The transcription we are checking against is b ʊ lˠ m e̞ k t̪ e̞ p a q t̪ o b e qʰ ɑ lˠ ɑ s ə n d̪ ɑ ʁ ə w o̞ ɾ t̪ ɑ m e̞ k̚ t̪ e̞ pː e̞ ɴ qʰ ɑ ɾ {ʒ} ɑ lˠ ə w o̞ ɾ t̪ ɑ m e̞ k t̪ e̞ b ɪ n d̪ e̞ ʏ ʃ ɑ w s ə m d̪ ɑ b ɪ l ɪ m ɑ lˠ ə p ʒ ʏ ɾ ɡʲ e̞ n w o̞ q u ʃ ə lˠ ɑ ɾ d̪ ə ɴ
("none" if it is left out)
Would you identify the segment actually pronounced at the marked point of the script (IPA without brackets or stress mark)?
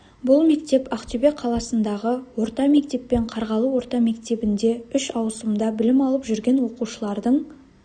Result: ʁ